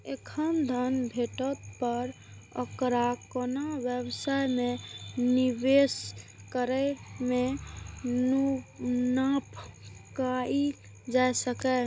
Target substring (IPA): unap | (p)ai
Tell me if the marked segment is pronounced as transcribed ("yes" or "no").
no